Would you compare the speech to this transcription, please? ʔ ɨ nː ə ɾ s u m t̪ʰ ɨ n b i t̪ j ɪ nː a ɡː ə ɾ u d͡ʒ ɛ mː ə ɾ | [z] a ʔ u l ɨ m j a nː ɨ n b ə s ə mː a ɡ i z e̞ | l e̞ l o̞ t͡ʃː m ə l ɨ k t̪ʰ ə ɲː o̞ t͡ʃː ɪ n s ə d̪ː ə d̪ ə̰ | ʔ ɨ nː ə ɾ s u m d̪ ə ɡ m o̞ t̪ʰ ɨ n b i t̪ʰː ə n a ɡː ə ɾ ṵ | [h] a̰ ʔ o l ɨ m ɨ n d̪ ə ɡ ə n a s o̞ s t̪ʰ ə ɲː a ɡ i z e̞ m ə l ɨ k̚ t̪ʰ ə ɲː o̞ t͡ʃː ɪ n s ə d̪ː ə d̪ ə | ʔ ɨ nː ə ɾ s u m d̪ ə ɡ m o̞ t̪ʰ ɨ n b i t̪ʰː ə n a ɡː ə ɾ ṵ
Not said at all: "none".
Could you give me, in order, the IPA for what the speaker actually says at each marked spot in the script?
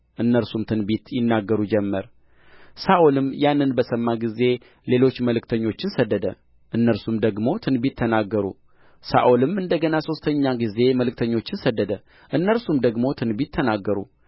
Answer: s, s

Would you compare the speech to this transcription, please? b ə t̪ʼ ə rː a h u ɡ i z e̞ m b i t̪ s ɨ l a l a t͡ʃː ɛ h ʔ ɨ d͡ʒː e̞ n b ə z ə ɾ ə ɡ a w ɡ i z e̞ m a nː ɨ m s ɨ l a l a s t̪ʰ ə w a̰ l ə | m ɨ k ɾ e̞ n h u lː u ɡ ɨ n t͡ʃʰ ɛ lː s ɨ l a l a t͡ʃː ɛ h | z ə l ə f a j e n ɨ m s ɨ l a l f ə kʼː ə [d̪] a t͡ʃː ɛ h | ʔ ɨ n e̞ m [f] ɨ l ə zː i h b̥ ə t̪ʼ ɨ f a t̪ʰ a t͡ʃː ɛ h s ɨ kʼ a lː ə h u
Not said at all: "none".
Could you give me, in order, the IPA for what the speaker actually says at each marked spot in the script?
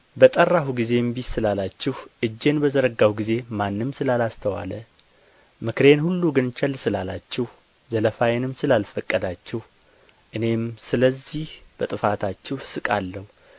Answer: d̪, s

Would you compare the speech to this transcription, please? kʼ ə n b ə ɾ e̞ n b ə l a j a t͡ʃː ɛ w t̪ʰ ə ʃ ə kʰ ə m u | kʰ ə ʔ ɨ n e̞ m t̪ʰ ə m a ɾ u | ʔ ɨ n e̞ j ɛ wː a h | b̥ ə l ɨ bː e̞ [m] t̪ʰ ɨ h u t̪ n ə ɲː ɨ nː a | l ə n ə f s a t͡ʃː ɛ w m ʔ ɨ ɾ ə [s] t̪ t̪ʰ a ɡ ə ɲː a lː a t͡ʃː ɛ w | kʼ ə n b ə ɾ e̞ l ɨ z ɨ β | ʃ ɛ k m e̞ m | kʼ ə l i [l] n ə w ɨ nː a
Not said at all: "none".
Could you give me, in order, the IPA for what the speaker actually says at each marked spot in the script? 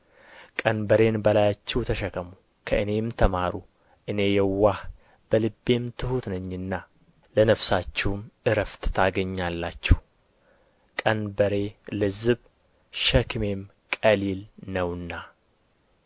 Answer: m, f, l

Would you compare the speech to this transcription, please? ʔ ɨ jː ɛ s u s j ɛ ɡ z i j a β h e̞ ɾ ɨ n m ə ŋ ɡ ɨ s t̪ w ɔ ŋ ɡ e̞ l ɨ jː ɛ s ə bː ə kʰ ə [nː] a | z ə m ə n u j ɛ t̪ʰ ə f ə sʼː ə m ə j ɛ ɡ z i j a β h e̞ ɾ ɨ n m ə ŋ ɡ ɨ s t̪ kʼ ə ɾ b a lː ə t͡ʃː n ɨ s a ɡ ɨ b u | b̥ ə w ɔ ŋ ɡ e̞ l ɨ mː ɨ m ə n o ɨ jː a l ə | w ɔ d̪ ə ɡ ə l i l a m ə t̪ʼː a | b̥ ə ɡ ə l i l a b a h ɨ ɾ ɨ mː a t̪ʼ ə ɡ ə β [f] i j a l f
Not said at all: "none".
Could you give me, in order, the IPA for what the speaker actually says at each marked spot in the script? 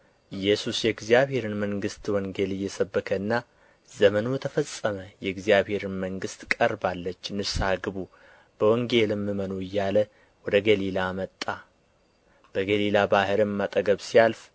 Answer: nː, s

